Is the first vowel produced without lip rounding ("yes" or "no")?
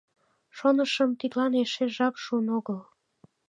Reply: no